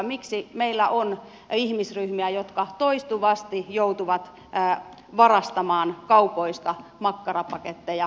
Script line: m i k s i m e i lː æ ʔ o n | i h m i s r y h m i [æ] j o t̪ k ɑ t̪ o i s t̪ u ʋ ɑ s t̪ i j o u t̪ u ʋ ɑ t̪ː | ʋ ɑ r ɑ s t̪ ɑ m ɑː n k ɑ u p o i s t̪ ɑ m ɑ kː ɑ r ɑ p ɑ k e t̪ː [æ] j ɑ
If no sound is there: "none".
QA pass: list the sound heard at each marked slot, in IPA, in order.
æ, e

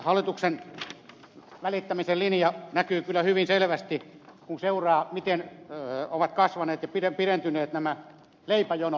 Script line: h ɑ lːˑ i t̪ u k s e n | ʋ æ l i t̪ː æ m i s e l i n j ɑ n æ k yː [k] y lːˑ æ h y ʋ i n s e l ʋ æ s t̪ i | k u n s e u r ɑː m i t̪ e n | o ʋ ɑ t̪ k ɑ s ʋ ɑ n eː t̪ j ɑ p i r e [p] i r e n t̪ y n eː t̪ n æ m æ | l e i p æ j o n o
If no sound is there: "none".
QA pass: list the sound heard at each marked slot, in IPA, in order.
k, p

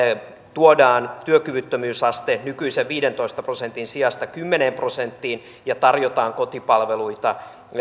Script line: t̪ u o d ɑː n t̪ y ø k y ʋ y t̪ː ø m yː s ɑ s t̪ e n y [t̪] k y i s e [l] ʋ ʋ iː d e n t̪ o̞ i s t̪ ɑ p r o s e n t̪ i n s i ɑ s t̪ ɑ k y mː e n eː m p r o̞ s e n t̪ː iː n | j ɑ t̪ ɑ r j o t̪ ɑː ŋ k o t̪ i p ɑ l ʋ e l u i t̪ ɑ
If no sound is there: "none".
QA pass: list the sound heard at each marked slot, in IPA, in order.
none, none

